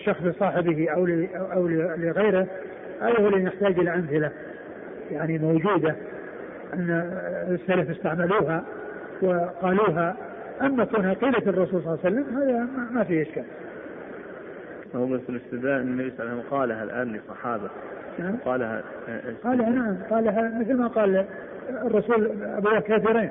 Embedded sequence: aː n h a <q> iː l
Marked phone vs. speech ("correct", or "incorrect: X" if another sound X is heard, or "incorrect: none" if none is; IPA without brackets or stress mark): correct